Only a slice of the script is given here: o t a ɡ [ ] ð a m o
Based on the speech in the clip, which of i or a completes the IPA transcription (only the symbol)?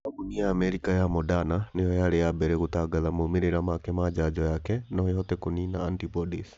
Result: a